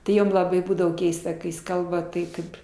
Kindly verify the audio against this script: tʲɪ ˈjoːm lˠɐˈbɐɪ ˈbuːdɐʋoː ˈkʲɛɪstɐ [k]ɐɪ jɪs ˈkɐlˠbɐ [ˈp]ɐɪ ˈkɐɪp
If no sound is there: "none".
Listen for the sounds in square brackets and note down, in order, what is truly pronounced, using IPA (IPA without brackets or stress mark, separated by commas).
k, t